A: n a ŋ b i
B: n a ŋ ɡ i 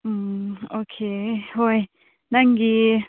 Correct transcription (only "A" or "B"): B